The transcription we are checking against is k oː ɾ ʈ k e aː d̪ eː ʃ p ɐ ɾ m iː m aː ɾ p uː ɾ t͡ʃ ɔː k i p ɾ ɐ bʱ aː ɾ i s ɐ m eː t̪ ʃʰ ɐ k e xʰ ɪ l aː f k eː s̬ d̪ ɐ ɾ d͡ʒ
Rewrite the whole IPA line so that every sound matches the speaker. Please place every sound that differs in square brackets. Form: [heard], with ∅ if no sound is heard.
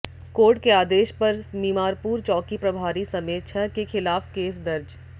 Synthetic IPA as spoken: k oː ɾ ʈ k e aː d̪ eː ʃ p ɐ ɾ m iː m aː ɾ p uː ɾ t͡ʃ ɔː k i p ɾ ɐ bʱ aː ɾ i s ɐ m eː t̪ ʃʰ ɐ k e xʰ ɪ l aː f k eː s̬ d̪ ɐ ɾ d͡ʒ